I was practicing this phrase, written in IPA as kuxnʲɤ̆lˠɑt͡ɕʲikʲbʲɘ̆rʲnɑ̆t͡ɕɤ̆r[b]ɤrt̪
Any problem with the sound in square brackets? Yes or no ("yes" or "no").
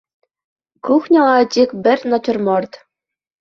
yes